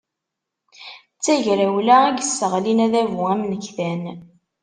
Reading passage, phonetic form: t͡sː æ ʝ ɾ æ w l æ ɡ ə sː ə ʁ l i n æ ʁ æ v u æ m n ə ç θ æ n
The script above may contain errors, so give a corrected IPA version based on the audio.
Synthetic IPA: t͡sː æ ʝ ɾ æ w l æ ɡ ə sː ə ʁ l i n æ ð æ v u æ m n ə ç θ æ n